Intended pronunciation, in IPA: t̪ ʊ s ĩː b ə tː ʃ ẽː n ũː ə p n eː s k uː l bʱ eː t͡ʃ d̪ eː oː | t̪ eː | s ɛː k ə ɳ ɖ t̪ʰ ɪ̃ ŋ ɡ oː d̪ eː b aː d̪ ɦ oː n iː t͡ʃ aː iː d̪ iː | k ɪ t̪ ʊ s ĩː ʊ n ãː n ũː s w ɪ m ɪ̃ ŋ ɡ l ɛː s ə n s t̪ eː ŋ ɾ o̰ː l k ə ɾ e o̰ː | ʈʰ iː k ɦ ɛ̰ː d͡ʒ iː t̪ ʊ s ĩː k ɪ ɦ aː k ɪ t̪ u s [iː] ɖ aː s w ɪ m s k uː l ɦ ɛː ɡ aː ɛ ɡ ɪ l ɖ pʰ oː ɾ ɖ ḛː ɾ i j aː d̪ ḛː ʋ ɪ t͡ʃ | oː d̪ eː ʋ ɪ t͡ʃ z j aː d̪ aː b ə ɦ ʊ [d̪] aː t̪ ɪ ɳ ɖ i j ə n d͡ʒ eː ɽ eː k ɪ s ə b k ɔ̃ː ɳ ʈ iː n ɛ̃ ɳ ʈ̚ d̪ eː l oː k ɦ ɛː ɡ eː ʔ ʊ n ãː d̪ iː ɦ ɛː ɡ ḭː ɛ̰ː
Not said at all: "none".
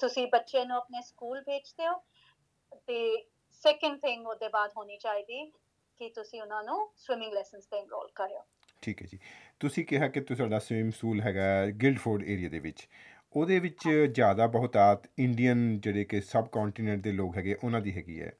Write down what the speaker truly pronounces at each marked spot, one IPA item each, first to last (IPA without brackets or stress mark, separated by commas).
aː, t̪